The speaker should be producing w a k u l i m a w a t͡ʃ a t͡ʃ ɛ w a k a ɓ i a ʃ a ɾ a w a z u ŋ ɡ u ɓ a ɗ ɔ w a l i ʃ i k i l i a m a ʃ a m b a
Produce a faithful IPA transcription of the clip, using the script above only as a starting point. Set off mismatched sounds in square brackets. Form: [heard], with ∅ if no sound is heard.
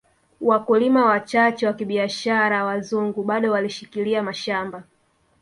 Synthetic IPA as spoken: w a k u l i m a w a t͡ʃ a t͡ʃ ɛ w a k [i] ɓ i a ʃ a ɾ a w a z u ŋ ɡ u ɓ a ɗ ɔ w a l i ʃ i k i l i a m a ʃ a m b a